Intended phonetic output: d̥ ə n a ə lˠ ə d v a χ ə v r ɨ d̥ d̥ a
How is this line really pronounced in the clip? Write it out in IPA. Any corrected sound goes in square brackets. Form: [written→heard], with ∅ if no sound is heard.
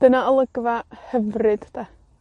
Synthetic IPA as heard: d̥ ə n a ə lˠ ə [d→ɡ] v a [χ→h] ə v r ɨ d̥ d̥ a